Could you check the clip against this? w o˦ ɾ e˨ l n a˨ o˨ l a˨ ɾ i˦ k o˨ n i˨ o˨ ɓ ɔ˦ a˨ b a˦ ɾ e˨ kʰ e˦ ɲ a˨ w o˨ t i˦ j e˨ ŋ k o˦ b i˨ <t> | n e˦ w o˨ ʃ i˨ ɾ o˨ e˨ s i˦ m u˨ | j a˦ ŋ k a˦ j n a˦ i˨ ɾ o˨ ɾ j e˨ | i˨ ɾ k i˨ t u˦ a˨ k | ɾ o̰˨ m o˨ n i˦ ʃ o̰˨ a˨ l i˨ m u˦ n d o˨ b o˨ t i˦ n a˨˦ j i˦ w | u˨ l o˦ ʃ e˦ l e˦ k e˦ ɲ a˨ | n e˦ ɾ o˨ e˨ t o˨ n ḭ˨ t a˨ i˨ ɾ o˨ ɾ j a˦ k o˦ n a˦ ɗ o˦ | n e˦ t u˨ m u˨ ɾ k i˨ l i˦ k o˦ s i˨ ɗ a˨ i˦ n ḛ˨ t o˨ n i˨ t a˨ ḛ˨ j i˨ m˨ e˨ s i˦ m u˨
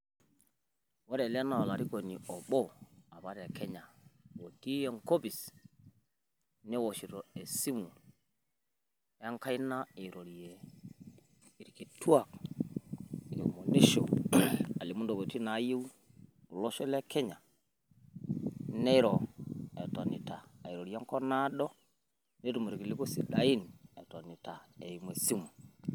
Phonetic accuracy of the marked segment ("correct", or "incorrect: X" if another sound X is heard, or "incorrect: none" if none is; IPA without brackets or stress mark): incorrect: s